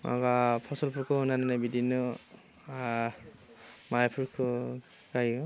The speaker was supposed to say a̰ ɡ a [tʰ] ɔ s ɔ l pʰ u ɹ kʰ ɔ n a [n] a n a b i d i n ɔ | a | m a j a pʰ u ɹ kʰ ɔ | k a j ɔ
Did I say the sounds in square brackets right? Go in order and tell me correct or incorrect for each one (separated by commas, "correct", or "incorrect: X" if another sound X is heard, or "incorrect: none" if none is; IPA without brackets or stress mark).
incorrect: pʰ, correct